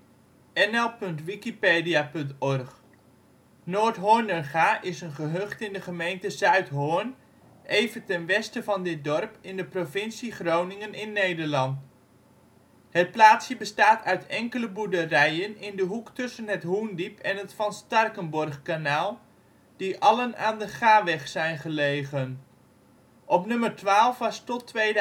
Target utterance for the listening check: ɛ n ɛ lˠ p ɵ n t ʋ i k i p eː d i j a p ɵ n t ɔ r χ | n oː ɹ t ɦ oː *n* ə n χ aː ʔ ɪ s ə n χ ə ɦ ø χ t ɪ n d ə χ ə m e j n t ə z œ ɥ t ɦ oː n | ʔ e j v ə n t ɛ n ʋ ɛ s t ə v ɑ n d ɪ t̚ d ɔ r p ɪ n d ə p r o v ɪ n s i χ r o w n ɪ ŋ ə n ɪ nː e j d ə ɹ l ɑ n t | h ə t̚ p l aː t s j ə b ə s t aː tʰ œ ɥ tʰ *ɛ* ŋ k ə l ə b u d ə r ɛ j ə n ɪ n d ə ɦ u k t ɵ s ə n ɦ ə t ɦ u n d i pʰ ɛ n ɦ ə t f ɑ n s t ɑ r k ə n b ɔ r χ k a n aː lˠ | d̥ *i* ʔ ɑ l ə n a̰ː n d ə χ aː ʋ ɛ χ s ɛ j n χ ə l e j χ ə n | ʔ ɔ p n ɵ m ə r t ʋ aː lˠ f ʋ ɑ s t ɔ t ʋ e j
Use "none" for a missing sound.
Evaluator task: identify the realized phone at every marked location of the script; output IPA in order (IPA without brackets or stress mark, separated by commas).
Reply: n, ɛ, i